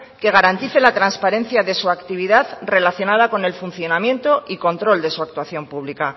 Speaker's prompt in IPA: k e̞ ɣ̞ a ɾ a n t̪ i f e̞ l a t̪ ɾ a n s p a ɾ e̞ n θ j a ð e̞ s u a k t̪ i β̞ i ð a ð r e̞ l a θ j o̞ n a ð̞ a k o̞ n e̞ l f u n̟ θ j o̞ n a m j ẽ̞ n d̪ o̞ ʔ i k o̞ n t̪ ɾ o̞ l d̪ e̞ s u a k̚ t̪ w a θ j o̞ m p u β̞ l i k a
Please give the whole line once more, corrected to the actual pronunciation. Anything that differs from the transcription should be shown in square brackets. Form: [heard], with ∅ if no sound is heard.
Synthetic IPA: k e̞ ɣ̞ a ɾ a n t̪ i [θ] e̞ l a t̪ ɾ a n s p a ɾ e̞ n θ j a ð e̞ s u a k t̪ i β̞ i ð a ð r e̞ l a θ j o̞ n a ð̞ a k o̞ n e̞ l f u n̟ θ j o̞ n a m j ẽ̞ n [t̪] o̞ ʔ i k o̞ n t̪ ɾ o̞ l d̪ e̞ s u a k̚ t̪ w a θ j o̞ m p u β̞ l i k a